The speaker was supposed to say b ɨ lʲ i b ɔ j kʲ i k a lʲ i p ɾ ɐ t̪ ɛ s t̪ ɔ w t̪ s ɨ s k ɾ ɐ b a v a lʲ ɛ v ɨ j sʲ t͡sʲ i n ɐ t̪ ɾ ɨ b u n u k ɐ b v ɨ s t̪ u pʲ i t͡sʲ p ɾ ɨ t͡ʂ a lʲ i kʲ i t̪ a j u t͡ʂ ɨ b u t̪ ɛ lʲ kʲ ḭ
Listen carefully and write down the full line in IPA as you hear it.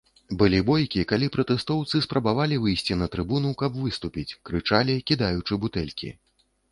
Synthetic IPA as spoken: b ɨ lʲ i b ɔ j kʲ i k a lʲ i p ɾ ɐ t̪ ɛ s t̪ ɔ w t̪ s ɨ s p ɾ ɐ b a v a lʲ i v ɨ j sʲ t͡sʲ i n ɐ t̪ ɾ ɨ b u n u k ɐ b v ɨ s t̪ u pʲ i t͡sʲ k ɾ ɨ t͡ʂ a lʲ i kʲ i d̪ a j u t͡ʂ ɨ b u t̪ ɛ lʲ kʲ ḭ